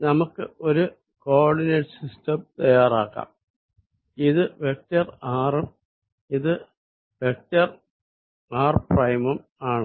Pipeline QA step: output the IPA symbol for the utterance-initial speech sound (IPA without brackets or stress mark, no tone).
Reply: n